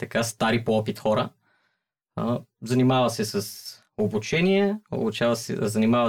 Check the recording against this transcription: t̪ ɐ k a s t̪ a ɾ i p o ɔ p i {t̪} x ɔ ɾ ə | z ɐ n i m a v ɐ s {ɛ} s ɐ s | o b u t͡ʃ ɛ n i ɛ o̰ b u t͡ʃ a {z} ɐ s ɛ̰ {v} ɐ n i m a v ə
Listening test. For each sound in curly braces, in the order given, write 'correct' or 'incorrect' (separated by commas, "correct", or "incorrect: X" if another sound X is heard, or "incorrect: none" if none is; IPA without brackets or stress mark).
correct, correct, incorrect: v, incorrect: z